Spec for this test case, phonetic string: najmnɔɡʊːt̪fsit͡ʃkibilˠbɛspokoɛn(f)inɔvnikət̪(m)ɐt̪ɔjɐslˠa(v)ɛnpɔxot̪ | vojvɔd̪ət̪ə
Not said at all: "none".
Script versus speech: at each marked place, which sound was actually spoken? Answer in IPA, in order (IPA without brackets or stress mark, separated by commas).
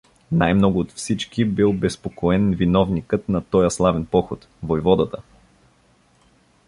v, n, v